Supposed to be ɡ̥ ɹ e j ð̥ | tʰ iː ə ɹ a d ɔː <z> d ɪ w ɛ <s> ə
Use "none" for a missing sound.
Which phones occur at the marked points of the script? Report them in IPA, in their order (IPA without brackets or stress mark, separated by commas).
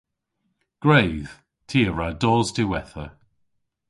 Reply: z, θ